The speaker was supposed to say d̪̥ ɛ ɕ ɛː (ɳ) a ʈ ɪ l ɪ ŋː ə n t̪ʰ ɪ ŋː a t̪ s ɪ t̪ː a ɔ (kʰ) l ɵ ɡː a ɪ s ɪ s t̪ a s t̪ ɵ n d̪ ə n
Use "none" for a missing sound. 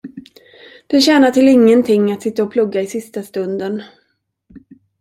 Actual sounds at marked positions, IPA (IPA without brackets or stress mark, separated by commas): n, pʰ